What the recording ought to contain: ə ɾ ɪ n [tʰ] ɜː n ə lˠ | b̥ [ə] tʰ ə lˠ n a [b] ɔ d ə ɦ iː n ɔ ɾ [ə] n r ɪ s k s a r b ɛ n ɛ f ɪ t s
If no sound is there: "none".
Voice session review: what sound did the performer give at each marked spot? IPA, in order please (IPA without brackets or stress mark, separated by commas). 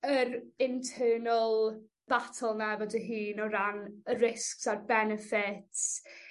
tʰ, a, v, a